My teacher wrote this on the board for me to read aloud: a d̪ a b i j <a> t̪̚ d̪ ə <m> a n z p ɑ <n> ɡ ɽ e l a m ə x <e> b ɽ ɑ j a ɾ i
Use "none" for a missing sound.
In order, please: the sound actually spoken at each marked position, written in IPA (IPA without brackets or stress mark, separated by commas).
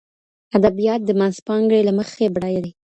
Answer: ɑ, m, ŋ, e